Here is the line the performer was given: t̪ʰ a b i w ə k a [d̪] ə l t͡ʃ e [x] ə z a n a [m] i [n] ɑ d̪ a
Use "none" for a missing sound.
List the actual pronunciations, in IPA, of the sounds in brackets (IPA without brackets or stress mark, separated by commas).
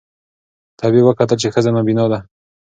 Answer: t̪, x, b, n